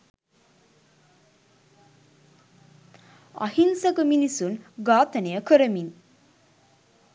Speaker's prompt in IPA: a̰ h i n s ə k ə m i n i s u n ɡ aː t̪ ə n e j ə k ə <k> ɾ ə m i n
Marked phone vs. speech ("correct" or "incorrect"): incorrect